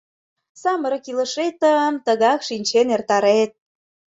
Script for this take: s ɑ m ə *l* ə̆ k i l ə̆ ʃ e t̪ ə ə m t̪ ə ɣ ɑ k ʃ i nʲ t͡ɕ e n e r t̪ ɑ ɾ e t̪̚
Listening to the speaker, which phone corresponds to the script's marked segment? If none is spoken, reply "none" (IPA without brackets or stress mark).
ɾ